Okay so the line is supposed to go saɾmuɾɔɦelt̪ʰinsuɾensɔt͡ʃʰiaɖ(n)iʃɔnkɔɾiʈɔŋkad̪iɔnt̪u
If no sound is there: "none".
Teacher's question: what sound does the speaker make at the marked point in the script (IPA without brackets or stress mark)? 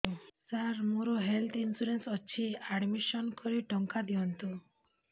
m